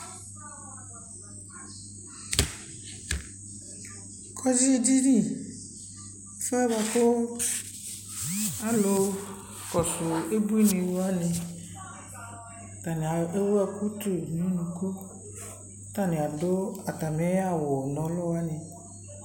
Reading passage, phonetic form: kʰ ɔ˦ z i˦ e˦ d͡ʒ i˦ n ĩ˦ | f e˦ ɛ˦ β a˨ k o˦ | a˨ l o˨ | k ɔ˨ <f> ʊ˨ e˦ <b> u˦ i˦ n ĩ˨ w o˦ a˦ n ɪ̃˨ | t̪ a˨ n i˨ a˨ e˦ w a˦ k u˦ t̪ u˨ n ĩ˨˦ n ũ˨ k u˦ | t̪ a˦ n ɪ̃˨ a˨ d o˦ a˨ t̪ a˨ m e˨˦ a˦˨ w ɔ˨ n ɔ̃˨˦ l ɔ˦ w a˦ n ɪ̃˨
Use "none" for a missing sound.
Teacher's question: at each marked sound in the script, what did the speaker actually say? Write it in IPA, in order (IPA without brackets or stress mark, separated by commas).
s, b